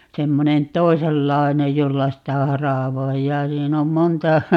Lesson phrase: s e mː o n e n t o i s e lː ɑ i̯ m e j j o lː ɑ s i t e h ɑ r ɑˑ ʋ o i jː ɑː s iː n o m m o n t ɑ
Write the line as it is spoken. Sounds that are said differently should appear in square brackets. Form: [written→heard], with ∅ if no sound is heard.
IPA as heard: s e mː o n e n t o i s e lː ɑ i̯ [m→n] e j j o lː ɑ s i t [e→æ] h ɑ r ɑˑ ʋ o i jː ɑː s iː n o m m o n t ɑ